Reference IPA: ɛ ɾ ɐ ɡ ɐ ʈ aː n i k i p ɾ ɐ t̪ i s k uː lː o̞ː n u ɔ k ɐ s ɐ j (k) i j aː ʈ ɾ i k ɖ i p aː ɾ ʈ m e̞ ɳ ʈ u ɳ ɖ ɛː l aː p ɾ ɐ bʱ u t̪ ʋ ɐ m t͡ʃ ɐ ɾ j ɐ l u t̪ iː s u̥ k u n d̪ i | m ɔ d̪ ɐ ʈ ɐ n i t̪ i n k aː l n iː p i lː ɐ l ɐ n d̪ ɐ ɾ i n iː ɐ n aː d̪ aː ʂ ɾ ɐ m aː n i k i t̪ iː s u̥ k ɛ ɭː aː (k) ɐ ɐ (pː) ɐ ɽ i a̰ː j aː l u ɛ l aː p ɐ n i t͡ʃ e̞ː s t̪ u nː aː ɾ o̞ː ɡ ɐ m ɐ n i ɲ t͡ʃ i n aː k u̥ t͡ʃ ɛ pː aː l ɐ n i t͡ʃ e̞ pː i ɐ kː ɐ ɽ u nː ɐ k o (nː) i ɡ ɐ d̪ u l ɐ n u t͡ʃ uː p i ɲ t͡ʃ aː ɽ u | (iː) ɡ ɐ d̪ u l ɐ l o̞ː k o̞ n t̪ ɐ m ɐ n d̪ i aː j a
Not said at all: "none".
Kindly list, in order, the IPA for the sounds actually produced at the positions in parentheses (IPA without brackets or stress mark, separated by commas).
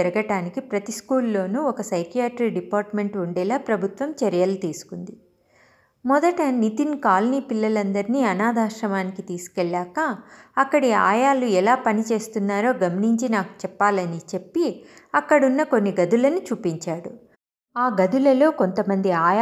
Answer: k, k, kː, nː, aː